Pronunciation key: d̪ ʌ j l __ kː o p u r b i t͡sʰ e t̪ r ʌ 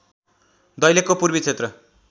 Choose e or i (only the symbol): e